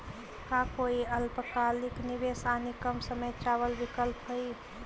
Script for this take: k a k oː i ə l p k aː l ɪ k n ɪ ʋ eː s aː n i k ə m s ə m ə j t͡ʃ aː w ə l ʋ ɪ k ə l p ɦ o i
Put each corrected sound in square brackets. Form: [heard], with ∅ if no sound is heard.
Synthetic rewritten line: k a k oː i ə l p k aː l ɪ k n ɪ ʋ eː s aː n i k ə m s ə m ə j t͡ʃ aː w ə l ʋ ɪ k ə l p ɦ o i